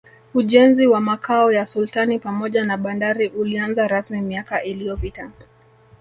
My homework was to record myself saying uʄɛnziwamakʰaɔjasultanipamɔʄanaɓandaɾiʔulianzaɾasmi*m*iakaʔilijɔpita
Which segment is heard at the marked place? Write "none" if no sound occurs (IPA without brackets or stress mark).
m